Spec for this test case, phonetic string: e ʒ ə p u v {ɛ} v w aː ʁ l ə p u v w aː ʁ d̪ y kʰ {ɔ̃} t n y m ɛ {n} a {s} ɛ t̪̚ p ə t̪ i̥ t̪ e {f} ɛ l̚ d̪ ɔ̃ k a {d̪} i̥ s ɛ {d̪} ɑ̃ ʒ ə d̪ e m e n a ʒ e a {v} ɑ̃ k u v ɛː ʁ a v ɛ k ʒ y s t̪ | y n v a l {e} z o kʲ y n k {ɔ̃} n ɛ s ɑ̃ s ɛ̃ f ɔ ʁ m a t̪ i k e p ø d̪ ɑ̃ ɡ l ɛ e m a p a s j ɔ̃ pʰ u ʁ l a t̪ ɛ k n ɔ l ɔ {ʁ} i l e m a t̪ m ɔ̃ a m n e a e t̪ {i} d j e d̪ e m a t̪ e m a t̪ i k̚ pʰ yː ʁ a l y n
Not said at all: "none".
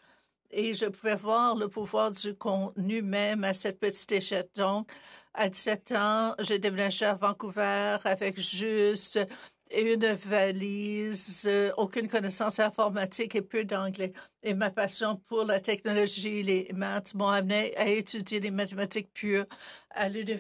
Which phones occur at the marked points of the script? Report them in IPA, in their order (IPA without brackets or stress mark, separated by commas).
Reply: ɛ, ɔ̃, m, s, ʃ, d̪, t̪, v, i, ɔ, ʒ, y